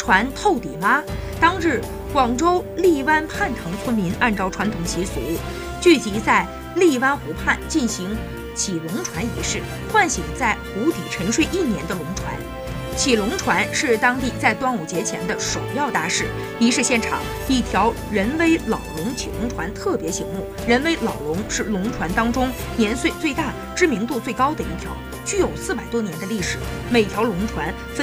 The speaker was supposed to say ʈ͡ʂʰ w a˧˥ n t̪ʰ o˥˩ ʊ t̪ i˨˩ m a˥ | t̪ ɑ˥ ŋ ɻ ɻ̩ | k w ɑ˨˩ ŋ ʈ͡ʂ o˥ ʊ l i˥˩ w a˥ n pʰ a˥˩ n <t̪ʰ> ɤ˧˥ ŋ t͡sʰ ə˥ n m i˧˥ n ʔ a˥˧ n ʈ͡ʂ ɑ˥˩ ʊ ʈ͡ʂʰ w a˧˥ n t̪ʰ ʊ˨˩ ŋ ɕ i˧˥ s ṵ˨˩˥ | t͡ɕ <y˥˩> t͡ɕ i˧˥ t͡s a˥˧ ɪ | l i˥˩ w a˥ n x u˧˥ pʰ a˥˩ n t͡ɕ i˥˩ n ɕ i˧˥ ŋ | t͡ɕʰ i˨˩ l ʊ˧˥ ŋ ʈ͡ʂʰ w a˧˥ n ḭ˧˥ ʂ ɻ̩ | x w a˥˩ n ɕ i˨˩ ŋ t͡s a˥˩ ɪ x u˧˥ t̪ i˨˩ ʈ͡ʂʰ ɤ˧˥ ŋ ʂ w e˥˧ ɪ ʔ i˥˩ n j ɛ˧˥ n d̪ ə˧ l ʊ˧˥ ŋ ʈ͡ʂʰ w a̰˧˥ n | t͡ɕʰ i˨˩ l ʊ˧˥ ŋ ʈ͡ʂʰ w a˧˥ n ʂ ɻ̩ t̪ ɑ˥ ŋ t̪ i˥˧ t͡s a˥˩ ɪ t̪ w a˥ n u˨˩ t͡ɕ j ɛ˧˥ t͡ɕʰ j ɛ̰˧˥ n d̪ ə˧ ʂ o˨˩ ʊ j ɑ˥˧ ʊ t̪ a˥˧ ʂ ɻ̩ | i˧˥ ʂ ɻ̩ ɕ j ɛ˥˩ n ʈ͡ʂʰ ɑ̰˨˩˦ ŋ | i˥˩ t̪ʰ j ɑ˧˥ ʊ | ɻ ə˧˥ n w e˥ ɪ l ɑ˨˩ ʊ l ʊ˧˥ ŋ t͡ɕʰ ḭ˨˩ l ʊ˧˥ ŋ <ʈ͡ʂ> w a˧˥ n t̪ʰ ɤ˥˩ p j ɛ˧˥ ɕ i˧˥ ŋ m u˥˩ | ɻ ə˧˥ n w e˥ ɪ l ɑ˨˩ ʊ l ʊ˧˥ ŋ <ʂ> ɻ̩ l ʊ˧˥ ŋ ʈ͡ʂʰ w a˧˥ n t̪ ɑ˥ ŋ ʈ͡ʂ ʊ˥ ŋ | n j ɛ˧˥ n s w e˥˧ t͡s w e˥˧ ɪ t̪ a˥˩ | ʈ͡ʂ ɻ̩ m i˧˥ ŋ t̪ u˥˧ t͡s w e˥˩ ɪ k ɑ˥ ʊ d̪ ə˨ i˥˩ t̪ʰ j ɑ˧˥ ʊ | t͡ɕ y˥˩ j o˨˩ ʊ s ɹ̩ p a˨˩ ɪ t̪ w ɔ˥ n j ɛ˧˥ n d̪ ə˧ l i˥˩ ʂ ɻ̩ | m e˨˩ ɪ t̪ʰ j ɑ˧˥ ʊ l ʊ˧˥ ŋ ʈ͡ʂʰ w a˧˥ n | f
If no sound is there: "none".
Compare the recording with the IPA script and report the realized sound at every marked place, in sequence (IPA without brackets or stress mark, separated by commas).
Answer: t̪ʰ, y˥˩, ʈ͡ʂʰ, ʂ